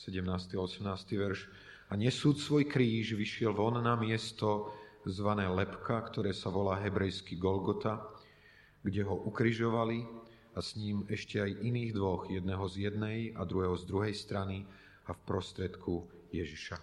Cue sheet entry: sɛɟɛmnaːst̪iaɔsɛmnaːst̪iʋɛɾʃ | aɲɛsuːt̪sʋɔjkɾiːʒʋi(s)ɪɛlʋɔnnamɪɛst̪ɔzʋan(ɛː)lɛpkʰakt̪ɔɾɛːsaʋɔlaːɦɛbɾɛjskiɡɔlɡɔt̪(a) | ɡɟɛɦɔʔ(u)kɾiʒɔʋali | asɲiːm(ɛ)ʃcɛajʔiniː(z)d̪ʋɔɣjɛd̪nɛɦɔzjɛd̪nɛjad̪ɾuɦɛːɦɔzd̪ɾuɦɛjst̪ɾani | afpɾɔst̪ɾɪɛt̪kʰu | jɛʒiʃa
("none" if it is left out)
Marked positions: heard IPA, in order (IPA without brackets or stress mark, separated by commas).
ʃ, ɛː, a, u, ɛ, ɣ